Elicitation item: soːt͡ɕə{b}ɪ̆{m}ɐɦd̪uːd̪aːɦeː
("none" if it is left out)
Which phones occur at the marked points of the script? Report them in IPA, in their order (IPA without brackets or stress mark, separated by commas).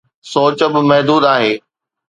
b, m